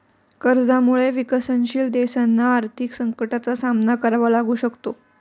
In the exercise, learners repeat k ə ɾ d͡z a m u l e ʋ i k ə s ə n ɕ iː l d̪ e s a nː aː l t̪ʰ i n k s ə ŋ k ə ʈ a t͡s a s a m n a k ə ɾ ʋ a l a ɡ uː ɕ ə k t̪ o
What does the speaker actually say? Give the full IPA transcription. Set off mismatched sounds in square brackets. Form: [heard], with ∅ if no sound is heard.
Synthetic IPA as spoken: k ə ɾ d͡z a m u [ɭ] e ʋ i k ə s ə n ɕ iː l d̪ e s a nː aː [ɾ] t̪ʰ i [∅] k s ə ŋ k ə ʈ a t͡s a s a m n a k ə ɾ ʋ a l a ɡ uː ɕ ə k t̪ o